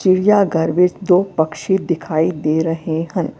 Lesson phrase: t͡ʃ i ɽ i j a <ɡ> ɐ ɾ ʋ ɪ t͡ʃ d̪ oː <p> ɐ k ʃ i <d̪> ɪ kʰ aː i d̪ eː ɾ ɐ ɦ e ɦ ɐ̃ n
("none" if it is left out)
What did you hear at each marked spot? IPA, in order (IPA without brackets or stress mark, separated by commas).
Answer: ɡ, p, d̪